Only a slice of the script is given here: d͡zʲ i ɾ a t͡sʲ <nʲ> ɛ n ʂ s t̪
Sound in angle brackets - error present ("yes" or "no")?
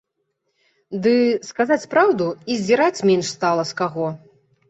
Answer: yes